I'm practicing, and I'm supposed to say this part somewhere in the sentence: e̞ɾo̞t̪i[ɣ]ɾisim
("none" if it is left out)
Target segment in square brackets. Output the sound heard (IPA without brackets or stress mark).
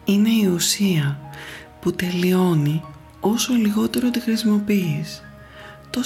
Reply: x